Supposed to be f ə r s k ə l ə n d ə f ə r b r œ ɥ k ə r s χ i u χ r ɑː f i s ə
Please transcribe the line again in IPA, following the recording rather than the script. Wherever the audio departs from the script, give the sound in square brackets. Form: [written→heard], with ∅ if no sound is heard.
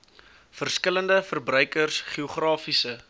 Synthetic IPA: f ə r s k ə l ə n d ə f ə r b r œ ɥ k ə r s χ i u χ r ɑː f i s ə